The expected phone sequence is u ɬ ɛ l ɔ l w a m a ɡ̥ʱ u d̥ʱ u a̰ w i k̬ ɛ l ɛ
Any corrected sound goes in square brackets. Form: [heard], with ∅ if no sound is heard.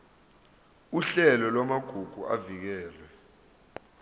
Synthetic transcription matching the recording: u ɬ ɛ l ɔ l w a m a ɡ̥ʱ u [ɡ̥ʱ] u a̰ [v] i k̬ [ɛː] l ɛ